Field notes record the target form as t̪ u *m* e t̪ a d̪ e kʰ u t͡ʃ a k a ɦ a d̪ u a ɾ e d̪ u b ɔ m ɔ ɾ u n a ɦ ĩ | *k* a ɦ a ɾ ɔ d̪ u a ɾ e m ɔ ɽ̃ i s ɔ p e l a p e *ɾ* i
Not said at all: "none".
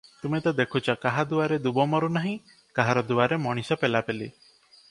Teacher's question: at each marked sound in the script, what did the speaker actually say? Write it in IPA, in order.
m, k, l

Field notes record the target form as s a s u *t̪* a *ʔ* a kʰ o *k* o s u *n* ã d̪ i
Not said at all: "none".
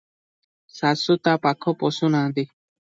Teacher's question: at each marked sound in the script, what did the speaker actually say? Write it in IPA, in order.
t̪, p, p, n

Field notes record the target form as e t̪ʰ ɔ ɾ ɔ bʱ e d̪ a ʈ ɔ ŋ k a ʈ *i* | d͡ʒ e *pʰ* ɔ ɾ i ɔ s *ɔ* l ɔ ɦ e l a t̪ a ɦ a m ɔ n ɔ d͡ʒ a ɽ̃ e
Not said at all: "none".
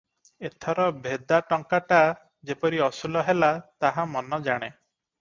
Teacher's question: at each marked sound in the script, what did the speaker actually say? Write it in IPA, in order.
a, p, u

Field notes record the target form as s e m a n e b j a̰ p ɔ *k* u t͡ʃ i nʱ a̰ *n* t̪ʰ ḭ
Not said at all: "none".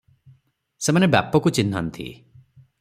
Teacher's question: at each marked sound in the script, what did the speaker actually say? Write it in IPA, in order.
k, n

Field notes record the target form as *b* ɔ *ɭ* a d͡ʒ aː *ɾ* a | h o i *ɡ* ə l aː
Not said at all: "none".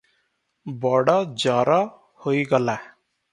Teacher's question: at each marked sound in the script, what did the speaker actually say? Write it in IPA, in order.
b, ɽ, ɾ, ɡ

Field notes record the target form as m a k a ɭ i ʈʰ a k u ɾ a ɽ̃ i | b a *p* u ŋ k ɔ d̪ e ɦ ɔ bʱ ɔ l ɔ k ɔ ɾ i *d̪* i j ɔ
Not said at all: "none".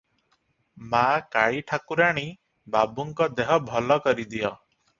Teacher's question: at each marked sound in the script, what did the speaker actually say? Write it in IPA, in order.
b, d̪

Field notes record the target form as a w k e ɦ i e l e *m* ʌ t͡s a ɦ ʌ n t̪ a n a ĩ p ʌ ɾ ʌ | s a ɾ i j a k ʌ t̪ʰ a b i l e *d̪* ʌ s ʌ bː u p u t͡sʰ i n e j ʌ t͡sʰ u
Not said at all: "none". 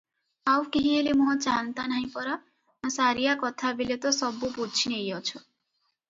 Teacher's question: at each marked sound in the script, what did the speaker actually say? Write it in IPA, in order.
m, t̪

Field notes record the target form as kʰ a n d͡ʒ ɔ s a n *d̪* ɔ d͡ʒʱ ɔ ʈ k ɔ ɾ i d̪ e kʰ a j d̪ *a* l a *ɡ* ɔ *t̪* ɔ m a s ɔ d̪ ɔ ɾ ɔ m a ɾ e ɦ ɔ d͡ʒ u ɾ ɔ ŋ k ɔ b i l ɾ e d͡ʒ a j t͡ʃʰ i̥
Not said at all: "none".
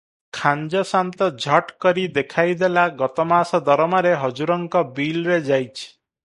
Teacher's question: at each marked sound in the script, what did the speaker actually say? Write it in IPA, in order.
t̪, e, ɡ, t̪

